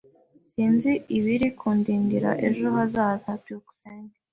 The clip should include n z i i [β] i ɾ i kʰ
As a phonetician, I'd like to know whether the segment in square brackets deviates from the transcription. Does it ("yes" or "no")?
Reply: no